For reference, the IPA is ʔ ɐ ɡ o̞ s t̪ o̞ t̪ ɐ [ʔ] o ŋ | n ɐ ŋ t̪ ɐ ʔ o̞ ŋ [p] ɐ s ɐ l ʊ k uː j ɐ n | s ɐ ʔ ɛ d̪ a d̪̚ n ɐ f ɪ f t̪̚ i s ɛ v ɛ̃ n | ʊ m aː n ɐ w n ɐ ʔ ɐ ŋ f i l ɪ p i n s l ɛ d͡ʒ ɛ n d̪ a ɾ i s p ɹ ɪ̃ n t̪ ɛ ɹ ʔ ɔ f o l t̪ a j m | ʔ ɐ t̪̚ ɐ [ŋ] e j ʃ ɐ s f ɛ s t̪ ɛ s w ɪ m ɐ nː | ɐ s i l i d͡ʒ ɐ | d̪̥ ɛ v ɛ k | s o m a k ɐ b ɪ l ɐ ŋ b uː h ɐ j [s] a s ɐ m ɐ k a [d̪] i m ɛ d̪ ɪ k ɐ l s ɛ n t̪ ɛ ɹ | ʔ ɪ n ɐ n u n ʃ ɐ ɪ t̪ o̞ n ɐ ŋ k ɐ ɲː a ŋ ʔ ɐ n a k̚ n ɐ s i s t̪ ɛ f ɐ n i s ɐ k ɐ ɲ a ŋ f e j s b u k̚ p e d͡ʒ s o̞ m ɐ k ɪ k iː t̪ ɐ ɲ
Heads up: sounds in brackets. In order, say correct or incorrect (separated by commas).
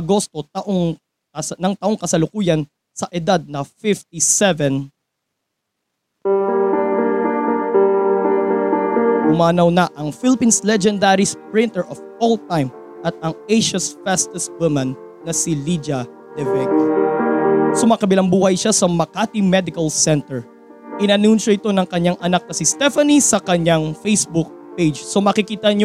correct, incorrect, correct, incorrect, incorrect